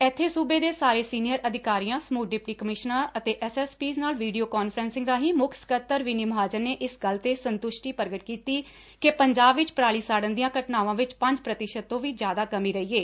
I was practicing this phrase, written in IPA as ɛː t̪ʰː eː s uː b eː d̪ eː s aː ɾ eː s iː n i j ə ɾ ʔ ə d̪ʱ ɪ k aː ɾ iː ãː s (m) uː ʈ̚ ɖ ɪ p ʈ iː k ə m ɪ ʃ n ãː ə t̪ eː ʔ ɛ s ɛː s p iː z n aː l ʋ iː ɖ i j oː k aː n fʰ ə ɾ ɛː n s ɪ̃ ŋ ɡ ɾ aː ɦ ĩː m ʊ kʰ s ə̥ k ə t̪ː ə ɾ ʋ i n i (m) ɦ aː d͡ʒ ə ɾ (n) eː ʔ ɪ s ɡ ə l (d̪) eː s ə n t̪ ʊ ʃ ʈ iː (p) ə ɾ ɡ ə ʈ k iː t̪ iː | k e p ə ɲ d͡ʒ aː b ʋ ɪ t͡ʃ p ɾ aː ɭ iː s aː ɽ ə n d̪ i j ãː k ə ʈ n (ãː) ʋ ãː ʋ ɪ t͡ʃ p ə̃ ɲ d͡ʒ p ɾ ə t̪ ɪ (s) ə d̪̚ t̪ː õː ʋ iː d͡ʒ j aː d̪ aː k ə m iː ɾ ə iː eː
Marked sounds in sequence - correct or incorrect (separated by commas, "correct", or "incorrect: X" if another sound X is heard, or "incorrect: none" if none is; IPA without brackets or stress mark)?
correct, correct, correct, incorrect: t̪, correct, incorrect: aː, incorrect: ʃ